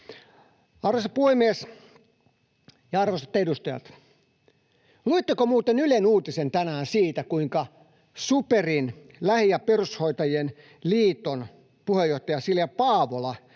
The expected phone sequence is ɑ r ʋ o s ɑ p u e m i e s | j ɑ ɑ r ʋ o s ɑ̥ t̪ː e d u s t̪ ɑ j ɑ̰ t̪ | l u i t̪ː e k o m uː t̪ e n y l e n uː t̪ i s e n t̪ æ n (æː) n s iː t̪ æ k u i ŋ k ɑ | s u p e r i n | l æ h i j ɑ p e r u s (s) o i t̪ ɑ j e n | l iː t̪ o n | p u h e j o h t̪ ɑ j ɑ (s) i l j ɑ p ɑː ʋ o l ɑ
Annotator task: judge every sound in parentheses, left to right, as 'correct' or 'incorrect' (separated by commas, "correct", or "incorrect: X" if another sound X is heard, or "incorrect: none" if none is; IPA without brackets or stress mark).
correct, incorrect: h, correct